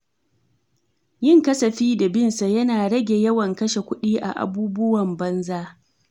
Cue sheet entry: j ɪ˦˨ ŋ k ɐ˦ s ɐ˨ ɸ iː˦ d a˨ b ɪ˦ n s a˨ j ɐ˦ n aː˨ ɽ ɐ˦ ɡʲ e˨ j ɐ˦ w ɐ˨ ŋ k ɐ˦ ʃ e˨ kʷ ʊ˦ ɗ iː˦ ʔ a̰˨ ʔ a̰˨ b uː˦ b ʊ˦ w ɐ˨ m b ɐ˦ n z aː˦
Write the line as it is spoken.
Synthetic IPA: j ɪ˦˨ ŋ k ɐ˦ s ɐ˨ ɸ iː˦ d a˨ b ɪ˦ n s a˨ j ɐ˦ n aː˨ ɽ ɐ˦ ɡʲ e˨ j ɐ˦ w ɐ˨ ŋ k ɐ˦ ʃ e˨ kʷ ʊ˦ ɗ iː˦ ʔ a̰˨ ʔ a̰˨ b uː˦ b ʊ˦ w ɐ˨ m b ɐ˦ n z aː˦

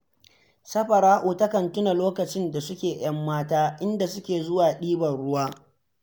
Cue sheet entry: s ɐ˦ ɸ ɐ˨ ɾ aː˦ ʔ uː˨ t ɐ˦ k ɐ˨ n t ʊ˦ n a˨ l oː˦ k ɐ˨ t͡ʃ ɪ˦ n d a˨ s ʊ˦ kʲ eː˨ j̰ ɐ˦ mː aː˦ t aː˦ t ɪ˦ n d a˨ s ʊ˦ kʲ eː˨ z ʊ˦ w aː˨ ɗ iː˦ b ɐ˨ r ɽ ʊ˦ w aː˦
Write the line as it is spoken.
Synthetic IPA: s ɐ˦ ɸ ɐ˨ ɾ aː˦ ʔ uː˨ t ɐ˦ k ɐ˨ n t ʊ˦ n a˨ l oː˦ k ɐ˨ t͡ʃ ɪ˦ n d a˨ s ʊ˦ kʲ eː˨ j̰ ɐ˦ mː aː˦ t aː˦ ʔ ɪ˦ n d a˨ s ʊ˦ kʲ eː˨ z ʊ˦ w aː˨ ɗ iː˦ b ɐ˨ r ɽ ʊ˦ w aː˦

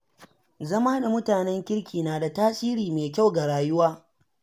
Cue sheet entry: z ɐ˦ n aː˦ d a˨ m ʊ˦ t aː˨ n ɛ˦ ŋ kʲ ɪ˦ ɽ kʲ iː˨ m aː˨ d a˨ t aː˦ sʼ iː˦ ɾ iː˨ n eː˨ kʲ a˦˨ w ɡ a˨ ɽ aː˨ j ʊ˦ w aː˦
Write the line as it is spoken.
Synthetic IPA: z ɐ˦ m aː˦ d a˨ m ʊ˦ t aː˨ n ɛ˦ ŋ kʲ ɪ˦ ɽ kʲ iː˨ n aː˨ d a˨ t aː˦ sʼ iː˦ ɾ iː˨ m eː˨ kʲ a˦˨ w ɡ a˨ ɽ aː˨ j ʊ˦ w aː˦

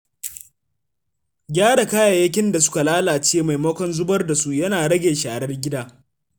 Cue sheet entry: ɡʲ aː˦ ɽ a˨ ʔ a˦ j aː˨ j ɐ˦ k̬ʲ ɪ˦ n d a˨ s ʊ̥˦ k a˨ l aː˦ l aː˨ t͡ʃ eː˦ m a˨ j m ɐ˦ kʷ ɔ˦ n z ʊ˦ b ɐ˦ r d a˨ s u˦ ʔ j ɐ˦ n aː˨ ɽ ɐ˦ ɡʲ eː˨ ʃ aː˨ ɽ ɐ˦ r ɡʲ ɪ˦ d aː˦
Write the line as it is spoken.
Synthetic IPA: ɡʲ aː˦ ɽ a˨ k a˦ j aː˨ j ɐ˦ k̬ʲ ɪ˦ n d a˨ s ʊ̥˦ k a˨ l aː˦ l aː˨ t͡ʃ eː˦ m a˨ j m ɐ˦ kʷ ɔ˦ n z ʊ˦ b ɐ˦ r d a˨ s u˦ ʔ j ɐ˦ n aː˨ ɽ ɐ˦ ɡʲ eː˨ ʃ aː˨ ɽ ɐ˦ r ɡʲ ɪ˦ d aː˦

